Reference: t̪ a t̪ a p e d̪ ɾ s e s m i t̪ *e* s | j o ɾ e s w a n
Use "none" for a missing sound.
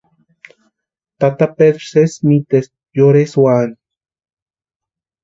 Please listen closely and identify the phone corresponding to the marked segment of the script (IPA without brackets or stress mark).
e